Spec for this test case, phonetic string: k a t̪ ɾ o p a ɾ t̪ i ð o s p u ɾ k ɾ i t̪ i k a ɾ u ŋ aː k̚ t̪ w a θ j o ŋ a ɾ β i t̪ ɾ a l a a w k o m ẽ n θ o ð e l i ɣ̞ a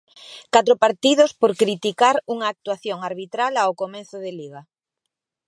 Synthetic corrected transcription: k a t̪ ɾ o p a ɾ t̪ i ð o s p o ɾ k ɾ i t̪ i k a ɾ u ŋ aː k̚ t̪ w a θ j o ŋ a ɾ β i t̪ ɾ a l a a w k o m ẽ n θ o ð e l i ɣ̞ a